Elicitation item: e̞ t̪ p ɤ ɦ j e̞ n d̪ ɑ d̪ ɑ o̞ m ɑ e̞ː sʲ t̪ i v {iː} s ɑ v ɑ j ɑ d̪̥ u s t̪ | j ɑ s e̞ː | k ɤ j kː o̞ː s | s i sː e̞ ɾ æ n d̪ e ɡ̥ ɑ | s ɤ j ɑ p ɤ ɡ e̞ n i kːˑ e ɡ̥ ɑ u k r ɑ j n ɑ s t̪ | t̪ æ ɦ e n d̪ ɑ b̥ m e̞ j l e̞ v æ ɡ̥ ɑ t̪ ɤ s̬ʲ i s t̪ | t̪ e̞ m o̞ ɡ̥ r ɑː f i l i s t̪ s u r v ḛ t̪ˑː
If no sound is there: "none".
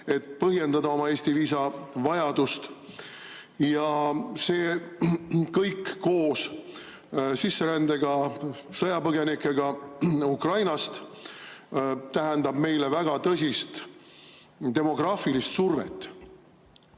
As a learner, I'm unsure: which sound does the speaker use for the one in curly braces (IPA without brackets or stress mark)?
iː